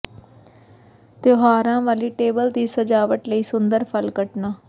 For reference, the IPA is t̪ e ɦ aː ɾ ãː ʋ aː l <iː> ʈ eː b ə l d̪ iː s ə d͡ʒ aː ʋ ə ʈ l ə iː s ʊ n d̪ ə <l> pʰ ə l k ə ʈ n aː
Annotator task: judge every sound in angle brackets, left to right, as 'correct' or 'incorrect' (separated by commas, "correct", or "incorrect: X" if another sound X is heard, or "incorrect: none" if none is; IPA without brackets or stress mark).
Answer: correct, incorrect: ɾ